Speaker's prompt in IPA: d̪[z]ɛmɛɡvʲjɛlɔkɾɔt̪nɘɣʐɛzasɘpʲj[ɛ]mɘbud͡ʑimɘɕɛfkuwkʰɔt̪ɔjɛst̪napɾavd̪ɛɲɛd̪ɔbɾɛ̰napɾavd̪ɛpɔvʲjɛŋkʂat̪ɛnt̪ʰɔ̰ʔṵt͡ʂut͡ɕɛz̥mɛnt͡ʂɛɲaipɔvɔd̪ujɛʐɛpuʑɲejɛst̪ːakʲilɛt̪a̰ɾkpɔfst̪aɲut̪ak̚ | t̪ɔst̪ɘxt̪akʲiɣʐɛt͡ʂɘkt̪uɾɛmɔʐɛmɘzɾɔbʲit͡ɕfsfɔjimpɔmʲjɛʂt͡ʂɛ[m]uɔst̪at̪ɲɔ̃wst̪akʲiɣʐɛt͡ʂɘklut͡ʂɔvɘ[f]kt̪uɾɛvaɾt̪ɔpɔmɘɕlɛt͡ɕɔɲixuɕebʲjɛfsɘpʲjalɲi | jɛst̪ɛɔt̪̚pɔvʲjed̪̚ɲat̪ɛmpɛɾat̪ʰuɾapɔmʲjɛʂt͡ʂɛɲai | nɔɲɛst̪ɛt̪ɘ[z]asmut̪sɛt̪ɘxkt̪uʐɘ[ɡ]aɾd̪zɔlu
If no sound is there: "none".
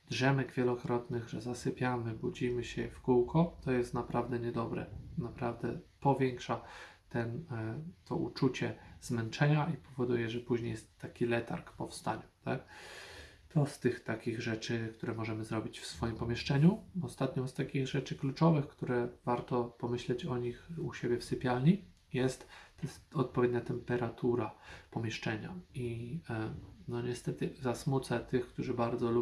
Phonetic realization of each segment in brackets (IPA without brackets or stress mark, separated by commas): ʐ, a, ɲ, x, z, b